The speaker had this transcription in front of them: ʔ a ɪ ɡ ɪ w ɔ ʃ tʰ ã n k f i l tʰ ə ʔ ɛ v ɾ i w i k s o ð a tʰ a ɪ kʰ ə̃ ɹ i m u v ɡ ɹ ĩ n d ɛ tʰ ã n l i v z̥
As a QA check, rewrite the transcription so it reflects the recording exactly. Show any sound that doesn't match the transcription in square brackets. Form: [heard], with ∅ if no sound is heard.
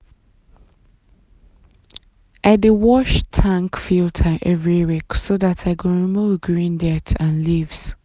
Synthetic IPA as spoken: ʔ a ɪ [d] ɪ w ɔ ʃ tʰ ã [ŋ] k f i l tʰ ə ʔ ɛ v [ɹ] i w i k s o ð a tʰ a ɪ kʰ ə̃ ɹ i m u v ɡ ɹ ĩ n d ɛ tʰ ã n l i v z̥